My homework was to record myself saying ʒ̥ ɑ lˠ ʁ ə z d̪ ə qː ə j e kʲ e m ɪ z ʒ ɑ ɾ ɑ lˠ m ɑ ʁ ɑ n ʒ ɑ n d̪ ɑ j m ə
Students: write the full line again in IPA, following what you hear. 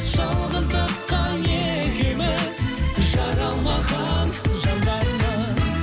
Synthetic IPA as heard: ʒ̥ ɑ lˠ ʁ ə z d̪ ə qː ɑ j e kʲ e m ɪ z ʒ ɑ ɾ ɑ lˠ m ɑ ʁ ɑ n ʒ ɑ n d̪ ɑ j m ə